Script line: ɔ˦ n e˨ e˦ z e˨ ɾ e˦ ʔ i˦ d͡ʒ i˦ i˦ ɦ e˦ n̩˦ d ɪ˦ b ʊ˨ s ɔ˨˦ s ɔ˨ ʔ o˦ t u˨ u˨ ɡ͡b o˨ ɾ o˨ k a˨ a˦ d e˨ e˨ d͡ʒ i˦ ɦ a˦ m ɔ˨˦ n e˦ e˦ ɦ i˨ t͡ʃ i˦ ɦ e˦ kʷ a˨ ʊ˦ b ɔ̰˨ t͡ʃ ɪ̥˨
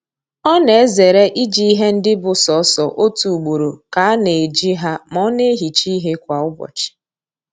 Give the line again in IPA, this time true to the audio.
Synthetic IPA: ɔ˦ n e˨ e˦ z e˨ ɾ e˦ ʔ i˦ d͡ʒ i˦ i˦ ɦ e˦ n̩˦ d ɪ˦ b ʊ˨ s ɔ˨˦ s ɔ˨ ʔ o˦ t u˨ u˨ ɡ͡b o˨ ɾ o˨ k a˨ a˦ n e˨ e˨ d͡ʒ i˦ ɦ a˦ m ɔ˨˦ n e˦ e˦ ɦ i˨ t͡ʃ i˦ ɦ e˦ kʷ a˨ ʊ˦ b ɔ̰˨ t͡ʃ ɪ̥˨